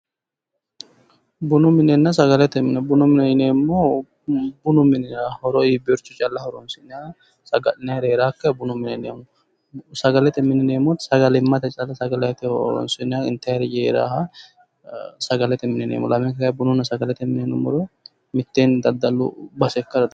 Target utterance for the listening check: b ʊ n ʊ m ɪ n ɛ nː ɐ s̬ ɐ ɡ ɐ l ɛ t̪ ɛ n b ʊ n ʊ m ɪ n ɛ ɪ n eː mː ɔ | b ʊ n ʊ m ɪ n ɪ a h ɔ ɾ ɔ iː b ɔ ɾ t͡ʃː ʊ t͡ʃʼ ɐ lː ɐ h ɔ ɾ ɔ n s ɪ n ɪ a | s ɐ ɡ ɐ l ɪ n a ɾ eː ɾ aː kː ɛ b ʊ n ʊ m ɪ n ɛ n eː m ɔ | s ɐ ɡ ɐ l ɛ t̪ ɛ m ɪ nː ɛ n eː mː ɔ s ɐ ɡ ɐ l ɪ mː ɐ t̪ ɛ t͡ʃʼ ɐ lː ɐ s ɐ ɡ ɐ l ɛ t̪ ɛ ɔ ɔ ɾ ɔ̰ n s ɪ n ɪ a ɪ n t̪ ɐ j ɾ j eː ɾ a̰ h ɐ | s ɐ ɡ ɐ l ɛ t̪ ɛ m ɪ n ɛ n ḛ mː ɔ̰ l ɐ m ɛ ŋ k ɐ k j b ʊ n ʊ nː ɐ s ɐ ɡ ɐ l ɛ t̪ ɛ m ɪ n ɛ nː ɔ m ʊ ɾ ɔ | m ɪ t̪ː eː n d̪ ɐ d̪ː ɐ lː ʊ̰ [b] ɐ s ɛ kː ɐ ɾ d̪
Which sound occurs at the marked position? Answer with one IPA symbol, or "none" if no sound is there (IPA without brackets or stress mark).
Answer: b